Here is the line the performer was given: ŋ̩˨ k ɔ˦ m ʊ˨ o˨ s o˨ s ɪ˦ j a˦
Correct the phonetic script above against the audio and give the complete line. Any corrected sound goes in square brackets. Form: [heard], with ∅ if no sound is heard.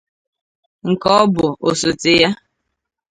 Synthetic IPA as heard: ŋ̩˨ k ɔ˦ [b] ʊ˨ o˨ s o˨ [t] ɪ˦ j a˦